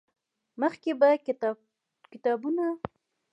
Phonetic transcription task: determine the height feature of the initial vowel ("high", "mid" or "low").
mid